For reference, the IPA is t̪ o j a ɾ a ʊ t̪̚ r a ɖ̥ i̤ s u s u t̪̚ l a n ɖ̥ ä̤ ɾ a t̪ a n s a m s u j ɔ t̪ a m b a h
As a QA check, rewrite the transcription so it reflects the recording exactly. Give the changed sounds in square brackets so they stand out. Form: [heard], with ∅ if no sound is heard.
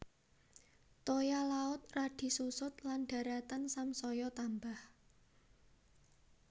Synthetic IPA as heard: t̪ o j a [l] a ʊ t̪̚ r a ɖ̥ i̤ s u s [ʊ] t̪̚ l a n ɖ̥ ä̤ ɾ a t̪ a n s a m s [ɔ] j ɔ t̪ a m b a h